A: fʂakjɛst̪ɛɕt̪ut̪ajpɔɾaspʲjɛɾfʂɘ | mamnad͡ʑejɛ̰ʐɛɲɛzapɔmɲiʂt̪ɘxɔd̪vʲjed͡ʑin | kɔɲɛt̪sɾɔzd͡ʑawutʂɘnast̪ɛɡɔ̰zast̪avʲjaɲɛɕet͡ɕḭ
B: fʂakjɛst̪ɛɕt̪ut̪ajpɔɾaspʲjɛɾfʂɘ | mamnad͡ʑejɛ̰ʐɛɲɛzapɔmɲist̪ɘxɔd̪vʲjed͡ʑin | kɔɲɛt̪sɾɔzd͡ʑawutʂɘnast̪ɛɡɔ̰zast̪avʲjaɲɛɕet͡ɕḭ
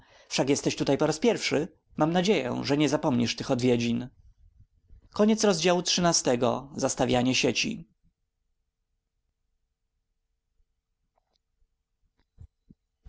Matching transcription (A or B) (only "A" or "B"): A